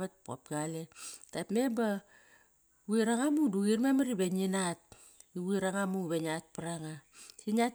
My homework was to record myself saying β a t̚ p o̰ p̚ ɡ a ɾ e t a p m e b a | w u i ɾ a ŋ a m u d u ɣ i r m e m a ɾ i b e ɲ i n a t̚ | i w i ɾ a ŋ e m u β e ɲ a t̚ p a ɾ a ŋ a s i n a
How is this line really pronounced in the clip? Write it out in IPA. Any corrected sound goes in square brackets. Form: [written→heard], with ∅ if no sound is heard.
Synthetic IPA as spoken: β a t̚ p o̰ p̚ ɡ a [ɾ→l] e t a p m e b a | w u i ɾ a ŋ a m u d u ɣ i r m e m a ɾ i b e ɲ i n a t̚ | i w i ɾ a ŋ [e→a] m u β e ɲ a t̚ p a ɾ a ŋ a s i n a